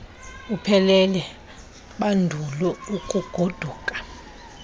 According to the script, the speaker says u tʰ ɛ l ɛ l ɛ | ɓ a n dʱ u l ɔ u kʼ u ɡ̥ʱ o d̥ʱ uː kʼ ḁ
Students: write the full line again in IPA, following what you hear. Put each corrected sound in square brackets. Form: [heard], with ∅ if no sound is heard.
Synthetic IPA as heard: u [pʰ] ɛ l ɛ l ɛ | ɓ a n dʱ u l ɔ u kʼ u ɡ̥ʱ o d̥ʱ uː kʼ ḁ